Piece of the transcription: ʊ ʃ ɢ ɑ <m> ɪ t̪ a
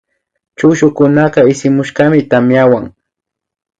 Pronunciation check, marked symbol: correct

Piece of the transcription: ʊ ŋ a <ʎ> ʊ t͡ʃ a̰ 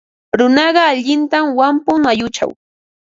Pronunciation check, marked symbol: incorrect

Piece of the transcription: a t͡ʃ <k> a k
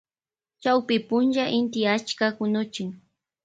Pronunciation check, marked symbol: correct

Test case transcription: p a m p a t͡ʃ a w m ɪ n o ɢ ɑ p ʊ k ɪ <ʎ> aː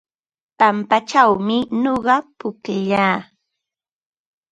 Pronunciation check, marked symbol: correct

